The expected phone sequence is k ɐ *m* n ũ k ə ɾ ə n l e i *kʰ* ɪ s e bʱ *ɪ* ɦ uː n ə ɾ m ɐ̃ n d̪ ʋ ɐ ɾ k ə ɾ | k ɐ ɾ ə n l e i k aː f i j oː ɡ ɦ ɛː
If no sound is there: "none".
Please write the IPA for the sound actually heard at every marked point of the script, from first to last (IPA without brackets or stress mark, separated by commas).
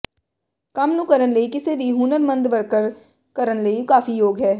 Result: m, k, i